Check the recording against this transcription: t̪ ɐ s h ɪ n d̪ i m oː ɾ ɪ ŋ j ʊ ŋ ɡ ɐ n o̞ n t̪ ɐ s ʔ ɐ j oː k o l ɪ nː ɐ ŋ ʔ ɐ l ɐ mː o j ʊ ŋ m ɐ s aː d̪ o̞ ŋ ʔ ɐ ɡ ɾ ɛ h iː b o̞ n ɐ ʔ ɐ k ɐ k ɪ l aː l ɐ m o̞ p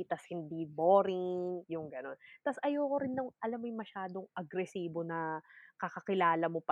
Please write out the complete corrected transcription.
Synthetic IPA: t̪ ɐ s h ɪ n d̪ i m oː ɾ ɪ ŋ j ʊ ŋ ɡ ɐ n o̞ n t̪ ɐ s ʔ ɐ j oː k o ɾ ɪ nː ɐ ŋ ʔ ɐ l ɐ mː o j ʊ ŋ m ɐ ʃ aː d̪ o̞ ŋ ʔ ɐ ɡ ɾ ɛ s iː b o̞ n ɐ k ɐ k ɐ k ɪ l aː l ɐ m o̞ p